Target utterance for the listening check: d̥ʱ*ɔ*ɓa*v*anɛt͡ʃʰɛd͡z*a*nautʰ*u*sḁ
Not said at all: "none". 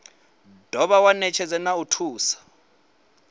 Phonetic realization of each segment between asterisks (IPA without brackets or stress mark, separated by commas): ɔ, w, ɛ, uː